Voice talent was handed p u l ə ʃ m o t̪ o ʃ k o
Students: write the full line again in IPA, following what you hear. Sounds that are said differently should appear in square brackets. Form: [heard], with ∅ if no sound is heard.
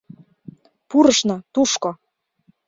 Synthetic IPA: p u [ɾ] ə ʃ [n] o t̪ [u] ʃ k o